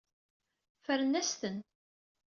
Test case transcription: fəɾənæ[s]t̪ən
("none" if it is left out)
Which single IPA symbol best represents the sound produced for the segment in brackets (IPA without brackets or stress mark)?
s